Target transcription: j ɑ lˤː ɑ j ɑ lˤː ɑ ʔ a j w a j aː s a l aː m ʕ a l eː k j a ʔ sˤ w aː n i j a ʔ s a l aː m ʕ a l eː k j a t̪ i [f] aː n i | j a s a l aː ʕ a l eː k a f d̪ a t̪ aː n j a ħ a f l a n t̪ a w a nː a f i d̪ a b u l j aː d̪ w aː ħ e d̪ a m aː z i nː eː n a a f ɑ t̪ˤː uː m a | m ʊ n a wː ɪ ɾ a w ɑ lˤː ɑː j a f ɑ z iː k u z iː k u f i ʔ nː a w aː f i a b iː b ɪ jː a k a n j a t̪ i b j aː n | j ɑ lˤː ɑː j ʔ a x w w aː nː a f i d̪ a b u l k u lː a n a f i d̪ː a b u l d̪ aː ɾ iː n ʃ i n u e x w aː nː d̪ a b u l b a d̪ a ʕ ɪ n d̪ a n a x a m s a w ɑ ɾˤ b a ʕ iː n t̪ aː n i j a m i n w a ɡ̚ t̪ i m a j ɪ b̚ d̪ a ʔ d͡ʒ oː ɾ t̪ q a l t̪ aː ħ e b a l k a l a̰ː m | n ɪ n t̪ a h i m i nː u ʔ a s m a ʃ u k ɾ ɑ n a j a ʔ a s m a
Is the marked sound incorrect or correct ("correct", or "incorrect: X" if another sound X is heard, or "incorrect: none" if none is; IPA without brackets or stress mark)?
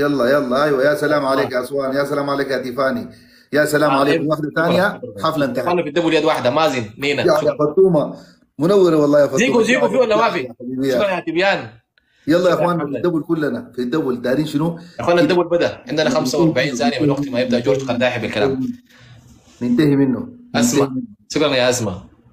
correct